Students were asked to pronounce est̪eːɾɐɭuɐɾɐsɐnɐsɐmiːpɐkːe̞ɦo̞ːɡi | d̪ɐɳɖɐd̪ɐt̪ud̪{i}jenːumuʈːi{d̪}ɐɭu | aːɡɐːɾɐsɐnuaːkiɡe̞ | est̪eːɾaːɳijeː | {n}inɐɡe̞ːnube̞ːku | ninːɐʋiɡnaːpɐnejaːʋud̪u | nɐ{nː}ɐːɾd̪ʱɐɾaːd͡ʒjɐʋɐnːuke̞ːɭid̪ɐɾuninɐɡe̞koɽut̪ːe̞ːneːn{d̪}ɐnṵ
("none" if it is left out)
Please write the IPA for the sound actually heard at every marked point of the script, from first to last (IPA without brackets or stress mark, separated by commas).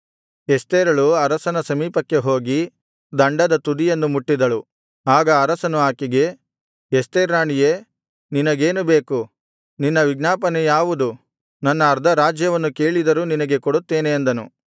i, d̪, n, nː, d̪